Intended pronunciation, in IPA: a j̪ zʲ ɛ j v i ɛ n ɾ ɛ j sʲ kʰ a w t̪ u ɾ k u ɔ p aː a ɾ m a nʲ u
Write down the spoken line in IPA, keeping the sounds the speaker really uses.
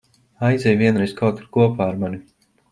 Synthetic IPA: a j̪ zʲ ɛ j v i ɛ n ɾ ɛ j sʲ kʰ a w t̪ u ɾ k u ɔ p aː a ɾ m a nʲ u

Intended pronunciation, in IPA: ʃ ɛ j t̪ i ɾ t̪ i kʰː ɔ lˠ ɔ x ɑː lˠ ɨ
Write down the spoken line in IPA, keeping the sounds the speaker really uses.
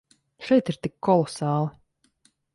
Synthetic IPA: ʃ ɛ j t̪ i ɾ t̪ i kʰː ɔ lˠ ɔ s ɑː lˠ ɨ

